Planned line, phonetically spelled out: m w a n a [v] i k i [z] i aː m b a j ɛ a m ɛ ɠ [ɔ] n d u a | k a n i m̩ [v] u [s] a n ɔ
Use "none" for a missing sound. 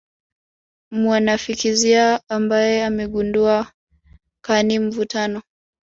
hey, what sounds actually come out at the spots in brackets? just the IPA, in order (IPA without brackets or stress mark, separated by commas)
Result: f, z, u, v, t